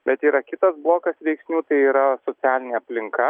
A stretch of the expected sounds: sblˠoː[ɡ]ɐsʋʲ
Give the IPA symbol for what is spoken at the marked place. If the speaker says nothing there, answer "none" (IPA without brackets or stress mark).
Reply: k